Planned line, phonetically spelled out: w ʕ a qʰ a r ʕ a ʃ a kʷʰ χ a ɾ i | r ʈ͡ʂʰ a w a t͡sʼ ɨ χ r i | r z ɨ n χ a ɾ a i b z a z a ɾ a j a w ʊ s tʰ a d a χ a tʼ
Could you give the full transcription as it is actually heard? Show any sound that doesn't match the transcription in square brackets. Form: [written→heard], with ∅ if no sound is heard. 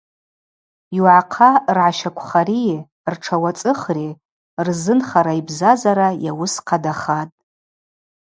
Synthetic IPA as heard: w ʕ a qʰ a r ʕ a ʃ a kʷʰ χ a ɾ i | r ʈ͡ʂʰ a w a t͡sʼ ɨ χ r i | r z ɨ n χ a ɾ a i b z a z a ɾ a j a w ʊ s [tʰ→qʰ] a d a χ a tʼ